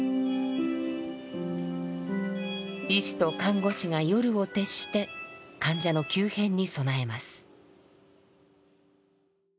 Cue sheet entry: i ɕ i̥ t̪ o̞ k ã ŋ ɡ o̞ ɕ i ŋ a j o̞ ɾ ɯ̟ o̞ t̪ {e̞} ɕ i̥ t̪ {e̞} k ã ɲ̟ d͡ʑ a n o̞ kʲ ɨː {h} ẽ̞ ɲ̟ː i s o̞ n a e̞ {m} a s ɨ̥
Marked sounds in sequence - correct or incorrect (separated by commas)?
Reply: correct, correct, correct, correct